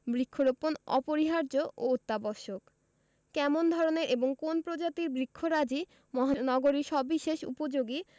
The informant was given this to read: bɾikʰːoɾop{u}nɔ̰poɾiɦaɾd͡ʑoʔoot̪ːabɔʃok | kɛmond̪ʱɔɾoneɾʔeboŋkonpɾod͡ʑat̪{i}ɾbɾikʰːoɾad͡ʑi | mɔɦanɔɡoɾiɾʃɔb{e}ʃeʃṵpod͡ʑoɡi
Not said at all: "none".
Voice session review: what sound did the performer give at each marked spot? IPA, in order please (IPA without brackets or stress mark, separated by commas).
o, i, i